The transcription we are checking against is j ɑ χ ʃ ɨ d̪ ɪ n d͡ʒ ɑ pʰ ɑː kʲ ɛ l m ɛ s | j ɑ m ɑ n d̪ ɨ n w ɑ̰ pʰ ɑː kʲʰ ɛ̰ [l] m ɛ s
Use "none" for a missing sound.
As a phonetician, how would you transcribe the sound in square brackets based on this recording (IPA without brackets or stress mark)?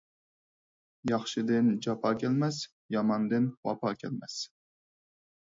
l